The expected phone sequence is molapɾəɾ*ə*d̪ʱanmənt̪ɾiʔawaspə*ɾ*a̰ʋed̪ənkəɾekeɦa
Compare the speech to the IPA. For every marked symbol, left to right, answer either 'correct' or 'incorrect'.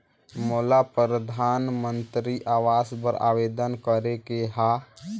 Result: correct, correct

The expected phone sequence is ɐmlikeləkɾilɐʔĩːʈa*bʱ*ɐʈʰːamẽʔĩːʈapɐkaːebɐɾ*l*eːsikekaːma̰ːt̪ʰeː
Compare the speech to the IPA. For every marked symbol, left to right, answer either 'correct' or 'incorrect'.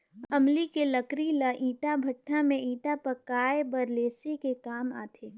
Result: correct, correct

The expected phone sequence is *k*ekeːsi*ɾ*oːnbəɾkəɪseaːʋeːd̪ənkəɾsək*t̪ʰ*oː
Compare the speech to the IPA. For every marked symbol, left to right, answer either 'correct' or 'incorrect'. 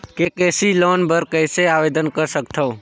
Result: correct, incorrect: l, correct

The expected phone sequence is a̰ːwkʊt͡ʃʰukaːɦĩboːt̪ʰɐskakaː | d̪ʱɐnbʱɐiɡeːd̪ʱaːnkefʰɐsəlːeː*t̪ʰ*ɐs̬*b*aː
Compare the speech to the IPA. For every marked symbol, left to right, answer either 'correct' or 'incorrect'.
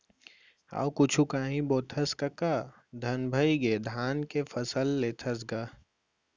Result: correct, incorrect: ɡ

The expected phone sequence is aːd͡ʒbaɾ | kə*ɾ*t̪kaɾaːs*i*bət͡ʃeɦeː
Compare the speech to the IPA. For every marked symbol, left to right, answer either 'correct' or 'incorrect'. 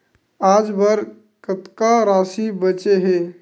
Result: incorrect: none, correct

